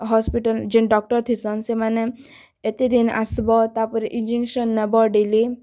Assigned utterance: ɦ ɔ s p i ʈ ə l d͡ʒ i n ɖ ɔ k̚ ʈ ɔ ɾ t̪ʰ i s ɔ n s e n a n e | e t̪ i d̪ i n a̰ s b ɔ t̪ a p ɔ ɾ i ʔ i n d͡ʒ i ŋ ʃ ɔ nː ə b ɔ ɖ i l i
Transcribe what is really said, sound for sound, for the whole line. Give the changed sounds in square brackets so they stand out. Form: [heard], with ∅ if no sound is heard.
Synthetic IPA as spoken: ɦ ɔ s p i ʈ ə l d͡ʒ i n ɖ ɔ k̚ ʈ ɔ ɾ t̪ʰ i s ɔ n s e [m] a n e | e t̪ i d̪ i n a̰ s b ɔ t̪ a p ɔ ɾ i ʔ i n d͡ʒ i ŋ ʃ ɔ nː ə b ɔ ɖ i l i

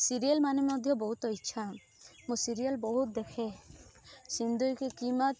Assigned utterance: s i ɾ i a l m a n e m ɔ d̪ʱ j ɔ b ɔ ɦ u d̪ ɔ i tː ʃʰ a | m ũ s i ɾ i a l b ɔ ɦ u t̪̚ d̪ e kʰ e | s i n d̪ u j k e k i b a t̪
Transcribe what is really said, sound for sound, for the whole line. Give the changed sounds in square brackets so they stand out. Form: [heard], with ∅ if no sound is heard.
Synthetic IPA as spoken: s i ɾ i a l m a n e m ɔ d̪ʱ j ɔ b ɔ ɦ u [t̪] ɔ i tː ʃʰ a | m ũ s i ɾ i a l b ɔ ɦ u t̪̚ d̪ e kʰ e | s i n d̪ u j k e k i [m] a t̪

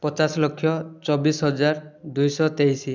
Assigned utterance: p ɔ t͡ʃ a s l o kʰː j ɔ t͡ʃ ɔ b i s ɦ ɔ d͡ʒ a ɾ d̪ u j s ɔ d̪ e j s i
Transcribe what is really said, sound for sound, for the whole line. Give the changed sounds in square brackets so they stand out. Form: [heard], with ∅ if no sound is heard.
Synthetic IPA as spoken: p ɔ t͡ʃ a s l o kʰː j ɔ t͡ʃ ɔ b i s ɦ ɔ d͡ʒ a ɾ d̪ u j s ɔ [t̪] e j s i

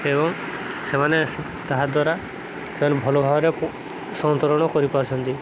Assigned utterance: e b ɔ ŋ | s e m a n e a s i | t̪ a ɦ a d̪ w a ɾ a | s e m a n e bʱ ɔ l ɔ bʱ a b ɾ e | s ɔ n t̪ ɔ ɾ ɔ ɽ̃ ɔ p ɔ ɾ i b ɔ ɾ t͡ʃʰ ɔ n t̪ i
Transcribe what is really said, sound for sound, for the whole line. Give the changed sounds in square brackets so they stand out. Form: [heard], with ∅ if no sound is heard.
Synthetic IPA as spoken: e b ɔ ŋ | s e m a n e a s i | t̪ a ɦ a d̪ w a ɾ a | s e m a n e bʱ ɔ l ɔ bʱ a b ɾ e | s ɔ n t̪ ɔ ɾ ɔ ɽ̃ ɔ [k] ɔ ɾ i [p] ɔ ɾ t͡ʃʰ ɔ n t̪ i

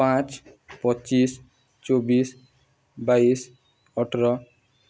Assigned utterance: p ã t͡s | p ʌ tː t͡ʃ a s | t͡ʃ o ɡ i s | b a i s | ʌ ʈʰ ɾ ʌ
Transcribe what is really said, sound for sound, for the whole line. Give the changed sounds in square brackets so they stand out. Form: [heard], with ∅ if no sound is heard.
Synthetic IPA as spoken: p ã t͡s | p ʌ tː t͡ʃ [i] s | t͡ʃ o [b] i s | b a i s | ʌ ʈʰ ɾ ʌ

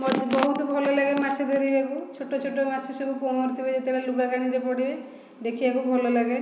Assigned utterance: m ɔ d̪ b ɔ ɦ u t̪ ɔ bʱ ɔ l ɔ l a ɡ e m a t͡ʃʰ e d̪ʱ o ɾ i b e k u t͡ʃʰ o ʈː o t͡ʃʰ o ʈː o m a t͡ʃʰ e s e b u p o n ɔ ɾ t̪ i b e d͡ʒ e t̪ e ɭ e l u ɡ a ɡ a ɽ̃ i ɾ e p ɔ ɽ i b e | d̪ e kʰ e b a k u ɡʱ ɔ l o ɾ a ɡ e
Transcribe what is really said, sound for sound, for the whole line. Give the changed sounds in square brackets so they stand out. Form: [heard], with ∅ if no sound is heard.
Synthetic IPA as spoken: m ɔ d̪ b ɔ ɦ u t̪ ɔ bʱ ɔ l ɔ l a ɡ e m a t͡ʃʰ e d̪ʱ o ɾ i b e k u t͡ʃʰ o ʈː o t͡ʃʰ o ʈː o m a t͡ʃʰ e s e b u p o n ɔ ɾ t̪ i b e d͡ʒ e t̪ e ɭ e l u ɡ a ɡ a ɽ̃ i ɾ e p ɔ ɽ i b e | d̪ e kʰ [i] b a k u [bʱ] ɔ l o [l] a ɡ e

